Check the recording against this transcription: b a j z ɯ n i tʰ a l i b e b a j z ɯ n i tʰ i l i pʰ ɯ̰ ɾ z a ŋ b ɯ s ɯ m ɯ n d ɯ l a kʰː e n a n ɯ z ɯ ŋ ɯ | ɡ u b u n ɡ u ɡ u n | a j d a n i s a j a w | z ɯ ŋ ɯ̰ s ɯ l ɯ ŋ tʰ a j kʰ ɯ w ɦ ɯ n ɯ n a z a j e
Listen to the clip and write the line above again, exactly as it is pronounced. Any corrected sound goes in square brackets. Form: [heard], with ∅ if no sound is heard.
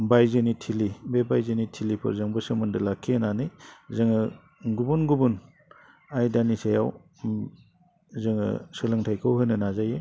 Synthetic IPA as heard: b a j z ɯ n i tʰ [i] l i b e b a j z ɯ n i tʰ i l i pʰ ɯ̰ ɾ z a ŋ b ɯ s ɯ m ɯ n d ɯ l a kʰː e n a n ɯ z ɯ ŋ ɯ | ɡ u b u n ɡ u [b] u n | a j d a n i s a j a w | z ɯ ŋ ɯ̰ s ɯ l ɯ ŋ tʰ a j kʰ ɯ w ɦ ɯ n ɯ n a z a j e

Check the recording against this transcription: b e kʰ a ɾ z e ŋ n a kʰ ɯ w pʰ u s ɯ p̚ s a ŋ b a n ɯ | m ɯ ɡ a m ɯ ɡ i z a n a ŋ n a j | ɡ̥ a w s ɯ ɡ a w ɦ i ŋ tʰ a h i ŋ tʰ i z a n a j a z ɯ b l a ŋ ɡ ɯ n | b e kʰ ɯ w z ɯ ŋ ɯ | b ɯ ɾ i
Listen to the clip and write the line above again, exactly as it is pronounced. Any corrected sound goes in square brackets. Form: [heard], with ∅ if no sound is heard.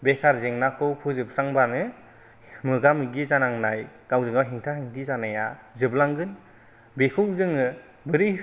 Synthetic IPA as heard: b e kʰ a ɾ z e ŋ n a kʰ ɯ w pʰ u [z] ɯ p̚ s a ŋ b a n ɯ | m ɯ ɡ a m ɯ ɡ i z a n a ŋ n a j | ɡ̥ a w [z] ɯ [ŋ] a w ɦ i ŋ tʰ a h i ŋ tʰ i z a n a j a z ɯ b l a ŋ ɡ ɯ n | b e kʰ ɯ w z ɯ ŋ ɯ | b ɯ ɾ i

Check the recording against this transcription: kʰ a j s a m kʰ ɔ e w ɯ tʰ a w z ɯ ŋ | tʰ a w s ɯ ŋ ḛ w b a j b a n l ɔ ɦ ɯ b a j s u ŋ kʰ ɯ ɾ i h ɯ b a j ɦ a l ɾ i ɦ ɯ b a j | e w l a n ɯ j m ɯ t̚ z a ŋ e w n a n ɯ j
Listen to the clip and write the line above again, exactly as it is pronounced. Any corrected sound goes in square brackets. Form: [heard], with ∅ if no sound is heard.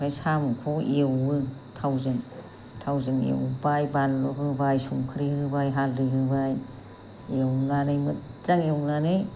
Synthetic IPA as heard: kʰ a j s a m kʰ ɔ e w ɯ tʰ a w z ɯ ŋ | tʰ a w [z] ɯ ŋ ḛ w b a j b a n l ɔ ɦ ɯ b a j s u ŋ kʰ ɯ ɾ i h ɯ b a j ɦ a l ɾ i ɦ ɯ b a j | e w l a n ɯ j m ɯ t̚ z a ŋ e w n a n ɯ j

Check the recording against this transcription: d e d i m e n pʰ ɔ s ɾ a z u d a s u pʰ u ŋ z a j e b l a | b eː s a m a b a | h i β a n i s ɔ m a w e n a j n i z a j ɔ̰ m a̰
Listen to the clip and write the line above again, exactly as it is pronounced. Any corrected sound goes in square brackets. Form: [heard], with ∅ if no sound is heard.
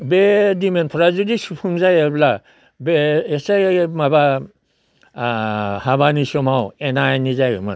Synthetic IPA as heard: [b] e d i m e n pʰ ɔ [∅] ɾ a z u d [i] s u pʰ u ŋ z a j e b l a | b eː s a m a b a | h [a] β a n i s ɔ m a w e n a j n i z a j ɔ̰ m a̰

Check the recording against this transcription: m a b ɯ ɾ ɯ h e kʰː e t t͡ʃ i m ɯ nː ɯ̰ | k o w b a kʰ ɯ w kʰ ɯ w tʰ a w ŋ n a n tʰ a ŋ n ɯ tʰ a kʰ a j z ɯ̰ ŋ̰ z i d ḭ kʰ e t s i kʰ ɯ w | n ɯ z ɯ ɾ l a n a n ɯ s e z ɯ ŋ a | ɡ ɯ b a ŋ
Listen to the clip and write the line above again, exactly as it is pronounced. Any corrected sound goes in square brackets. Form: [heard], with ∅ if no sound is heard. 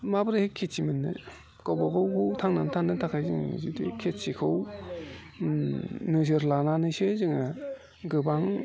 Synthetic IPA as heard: m a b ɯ ɾ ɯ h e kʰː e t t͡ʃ i m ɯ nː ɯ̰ | k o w b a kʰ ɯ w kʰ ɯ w tʰ a [∅] ŋ n a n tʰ a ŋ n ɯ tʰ a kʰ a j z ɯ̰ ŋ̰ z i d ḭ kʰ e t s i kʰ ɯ w | n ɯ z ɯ ɾ l a n a n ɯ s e z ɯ ŋ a | ɡ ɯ b a ŋ

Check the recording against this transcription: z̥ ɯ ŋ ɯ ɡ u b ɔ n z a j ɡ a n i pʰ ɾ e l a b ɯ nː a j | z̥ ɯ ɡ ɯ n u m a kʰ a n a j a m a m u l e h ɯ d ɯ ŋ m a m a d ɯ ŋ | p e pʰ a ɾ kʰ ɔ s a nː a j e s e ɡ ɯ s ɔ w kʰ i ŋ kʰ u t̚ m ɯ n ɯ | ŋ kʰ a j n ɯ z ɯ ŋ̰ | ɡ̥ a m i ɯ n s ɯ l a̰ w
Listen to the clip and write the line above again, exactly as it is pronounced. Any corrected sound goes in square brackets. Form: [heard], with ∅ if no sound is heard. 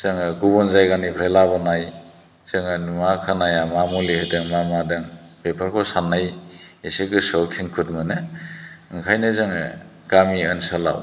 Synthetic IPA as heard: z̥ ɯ ŋ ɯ ɡ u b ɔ n z a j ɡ a n i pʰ ɾ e l a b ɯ [n] a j | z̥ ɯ [ŋ] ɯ n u m a kʰ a n a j a m a m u l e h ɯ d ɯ ŋ m a m a d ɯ ŋ | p e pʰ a ɾ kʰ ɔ s a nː a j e s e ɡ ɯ s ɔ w kʰ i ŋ kʰ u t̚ m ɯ n ɯ | ŋ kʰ a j n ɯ z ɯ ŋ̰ | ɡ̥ a m i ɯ n s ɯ l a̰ w

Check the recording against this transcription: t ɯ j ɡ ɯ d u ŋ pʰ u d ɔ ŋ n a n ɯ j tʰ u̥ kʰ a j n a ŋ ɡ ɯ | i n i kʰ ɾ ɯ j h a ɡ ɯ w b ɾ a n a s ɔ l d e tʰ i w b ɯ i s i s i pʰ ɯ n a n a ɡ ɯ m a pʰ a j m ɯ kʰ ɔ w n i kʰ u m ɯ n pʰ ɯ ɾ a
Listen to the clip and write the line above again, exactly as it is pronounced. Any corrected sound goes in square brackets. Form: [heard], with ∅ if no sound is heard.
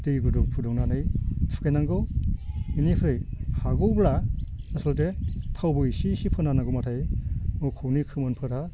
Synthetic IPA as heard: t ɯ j ɡ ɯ d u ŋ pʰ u d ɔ ŋ n a n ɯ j tʰ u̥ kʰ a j n a ŋ ɡ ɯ | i n i [pʰ] ɾ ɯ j h a ɡ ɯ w b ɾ a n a s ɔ l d e tʰ [a] w b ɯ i s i s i pʰ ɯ n a n a ɡ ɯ m a [tʰ] a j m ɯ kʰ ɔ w n i kʰ [ɯ] m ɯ n pʰ ɯ ɾ a

